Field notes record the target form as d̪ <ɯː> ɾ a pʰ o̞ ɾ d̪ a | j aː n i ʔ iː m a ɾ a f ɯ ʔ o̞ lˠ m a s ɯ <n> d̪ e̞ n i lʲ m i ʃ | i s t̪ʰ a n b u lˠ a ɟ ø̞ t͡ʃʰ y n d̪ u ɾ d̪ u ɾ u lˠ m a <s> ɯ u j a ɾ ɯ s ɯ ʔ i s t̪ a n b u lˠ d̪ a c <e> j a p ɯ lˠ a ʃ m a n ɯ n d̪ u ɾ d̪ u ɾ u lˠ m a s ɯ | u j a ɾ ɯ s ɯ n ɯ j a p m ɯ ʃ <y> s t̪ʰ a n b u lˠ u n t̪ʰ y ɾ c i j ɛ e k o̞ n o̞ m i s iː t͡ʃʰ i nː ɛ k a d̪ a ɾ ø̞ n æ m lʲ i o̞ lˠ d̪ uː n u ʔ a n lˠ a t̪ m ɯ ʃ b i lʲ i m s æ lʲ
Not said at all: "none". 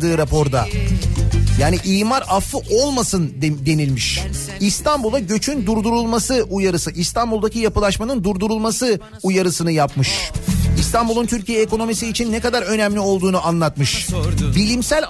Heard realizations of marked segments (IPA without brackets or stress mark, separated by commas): ɯː, n, s, i, i